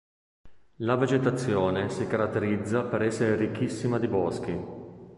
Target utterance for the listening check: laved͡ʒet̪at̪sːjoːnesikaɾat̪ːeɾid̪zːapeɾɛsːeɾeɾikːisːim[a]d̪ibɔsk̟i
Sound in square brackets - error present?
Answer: no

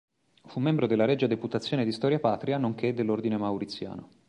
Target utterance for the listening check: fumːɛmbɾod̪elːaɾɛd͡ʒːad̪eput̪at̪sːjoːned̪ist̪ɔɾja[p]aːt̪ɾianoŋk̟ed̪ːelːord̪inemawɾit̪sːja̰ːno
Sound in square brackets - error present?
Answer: no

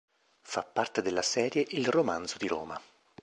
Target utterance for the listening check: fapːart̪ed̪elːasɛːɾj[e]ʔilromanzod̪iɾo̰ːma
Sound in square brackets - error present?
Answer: no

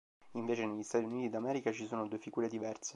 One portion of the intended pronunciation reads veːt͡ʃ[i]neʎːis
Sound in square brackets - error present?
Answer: yes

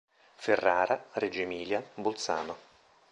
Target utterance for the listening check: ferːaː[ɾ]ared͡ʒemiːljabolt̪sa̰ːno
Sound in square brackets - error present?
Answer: no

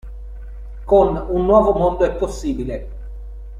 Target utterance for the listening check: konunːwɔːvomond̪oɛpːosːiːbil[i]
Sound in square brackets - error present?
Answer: yes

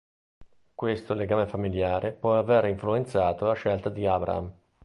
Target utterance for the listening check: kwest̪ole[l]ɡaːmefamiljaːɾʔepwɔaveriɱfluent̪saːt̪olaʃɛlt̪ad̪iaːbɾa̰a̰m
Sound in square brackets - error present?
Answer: yes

